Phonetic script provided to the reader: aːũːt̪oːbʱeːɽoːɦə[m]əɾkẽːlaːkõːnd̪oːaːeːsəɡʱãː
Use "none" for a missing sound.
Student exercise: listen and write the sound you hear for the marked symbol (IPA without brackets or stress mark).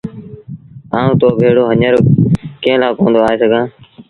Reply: ɲ